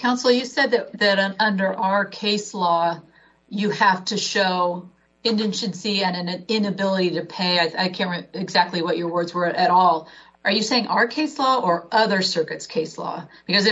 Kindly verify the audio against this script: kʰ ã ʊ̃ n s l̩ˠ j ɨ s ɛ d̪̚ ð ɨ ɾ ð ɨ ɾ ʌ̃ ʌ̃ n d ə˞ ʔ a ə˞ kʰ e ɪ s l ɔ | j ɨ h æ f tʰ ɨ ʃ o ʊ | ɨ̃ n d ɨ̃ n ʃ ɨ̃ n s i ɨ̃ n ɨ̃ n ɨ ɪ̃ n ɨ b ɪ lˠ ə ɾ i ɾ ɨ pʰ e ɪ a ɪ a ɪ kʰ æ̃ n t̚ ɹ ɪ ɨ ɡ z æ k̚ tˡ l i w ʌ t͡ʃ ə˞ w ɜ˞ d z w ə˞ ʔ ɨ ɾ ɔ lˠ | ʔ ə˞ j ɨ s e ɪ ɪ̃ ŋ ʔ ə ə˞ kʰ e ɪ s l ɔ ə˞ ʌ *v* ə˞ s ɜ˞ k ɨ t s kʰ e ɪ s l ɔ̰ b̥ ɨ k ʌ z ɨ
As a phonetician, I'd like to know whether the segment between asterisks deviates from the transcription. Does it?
yes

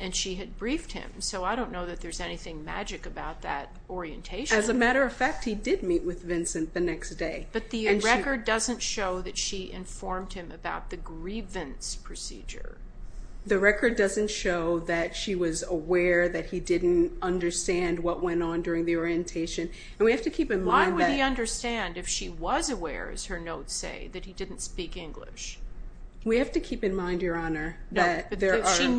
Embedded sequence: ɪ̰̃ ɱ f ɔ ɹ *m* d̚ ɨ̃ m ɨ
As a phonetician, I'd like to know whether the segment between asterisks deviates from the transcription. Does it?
no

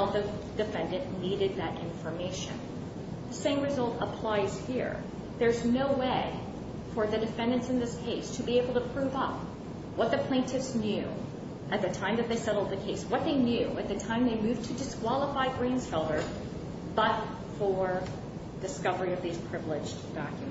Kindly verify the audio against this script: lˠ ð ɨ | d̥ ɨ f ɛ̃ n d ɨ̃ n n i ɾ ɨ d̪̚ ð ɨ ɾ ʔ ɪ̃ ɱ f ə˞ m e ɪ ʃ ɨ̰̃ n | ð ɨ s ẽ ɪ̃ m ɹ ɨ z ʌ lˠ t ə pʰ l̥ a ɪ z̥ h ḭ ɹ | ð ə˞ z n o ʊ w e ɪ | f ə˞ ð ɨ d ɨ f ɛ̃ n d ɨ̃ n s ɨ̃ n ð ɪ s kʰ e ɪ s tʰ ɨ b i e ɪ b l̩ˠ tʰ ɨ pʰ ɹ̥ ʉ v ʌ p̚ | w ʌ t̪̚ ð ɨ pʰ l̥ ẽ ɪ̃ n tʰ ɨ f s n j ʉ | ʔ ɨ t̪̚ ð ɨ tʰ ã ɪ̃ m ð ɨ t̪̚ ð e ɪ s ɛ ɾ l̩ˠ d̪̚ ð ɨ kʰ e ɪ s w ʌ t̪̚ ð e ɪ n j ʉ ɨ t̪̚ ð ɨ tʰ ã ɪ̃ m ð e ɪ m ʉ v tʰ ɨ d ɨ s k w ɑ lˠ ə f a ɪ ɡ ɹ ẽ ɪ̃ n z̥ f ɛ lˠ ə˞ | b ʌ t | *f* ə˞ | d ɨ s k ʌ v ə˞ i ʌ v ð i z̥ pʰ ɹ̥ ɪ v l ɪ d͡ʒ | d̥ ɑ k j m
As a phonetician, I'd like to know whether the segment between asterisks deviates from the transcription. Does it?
no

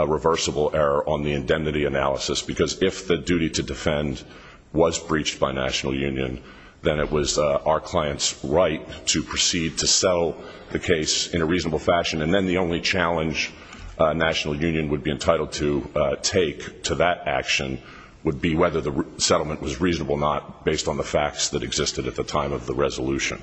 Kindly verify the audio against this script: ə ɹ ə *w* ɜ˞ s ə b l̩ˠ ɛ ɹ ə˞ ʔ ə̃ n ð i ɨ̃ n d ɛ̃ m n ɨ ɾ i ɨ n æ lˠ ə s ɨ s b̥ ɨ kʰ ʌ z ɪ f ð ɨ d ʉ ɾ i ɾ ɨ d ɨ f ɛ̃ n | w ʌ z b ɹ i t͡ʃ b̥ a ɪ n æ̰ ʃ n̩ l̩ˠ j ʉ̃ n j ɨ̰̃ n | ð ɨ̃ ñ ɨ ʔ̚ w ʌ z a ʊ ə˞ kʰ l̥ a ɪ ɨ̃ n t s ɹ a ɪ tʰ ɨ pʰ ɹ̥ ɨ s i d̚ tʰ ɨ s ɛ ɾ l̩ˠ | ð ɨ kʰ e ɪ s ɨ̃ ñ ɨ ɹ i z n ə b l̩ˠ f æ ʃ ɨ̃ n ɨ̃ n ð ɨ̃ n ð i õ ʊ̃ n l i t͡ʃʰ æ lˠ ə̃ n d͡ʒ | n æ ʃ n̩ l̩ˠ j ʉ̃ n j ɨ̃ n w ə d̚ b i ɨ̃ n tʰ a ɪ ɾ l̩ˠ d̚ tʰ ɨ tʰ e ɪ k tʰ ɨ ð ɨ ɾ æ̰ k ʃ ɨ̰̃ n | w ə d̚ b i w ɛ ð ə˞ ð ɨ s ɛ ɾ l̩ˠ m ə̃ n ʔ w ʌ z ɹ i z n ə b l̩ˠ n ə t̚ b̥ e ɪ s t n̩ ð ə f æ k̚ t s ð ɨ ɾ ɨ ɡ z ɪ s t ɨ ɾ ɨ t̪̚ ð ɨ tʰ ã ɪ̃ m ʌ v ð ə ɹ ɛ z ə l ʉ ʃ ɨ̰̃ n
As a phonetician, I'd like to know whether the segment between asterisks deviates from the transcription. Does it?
yes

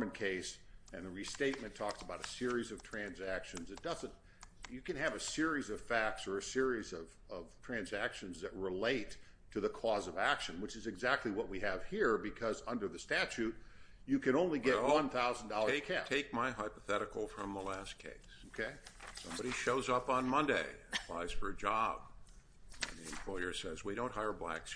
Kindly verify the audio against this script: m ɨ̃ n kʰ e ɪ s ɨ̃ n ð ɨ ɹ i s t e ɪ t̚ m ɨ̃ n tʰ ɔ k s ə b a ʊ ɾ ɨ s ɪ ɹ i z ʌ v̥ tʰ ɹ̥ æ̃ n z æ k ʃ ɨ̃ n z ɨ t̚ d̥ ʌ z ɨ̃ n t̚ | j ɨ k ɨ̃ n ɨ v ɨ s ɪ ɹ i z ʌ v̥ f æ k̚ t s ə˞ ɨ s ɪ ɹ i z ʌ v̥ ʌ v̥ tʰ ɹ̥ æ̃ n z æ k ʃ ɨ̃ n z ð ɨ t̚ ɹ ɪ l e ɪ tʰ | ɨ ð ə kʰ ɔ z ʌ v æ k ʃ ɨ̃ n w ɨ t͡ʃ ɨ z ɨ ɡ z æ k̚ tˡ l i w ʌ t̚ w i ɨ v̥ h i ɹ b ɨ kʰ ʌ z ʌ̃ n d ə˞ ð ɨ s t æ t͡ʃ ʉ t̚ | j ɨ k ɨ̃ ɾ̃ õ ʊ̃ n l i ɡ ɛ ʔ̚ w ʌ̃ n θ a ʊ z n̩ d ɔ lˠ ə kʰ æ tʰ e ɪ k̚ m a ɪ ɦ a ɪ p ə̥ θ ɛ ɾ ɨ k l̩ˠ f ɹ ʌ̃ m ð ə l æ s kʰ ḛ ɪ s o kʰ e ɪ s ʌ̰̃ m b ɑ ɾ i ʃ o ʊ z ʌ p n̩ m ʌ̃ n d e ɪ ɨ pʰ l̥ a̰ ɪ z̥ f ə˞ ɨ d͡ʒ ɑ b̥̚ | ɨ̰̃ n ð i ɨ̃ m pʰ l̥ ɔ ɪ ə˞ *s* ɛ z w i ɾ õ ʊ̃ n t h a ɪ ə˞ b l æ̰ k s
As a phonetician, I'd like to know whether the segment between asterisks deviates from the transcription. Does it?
no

